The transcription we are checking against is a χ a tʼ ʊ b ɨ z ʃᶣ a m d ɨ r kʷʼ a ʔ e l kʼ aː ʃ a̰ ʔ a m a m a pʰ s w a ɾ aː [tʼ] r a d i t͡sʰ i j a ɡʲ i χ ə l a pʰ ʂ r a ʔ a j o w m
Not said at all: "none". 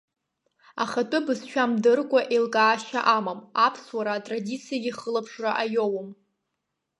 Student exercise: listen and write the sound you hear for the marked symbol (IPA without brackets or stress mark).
tʼ